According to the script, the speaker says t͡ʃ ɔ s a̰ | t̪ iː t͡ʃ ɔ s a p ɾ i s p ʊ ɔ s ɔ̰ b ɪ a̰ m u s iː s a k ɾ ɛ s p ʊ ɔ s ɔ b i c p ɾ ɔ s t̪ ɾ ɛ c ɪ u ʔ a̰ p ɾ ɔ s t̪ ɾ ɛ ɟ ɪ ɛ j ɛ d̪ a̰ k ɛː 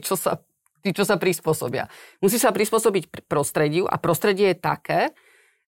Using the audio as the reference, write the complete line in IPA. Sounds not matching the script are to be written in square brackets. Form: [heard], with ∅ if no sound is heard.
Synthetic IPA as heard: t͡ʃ ɔ s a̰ | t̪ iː t͡ʃ ɔ s a p ɾ i s p ʊ ɔ s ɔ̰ b ɪ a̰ m u s iː s a [p] ɾ [i] s p ʊ ɔ s ɔ b i c p ɾ ɔ s t̪ ɾ ɛ [ɟ] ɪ u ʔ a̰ p ɾ ɔ s t̪ ɾ ɛ ɟ ɪ ɛ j ɛ [t̪] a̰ k ɛː